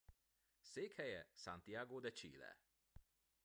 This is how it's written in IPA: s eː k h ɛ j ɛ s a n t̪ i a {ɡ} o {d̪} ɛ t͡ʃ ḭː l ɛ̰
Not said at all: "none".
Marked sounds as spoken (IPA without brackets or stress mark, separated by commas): ɡ, d̪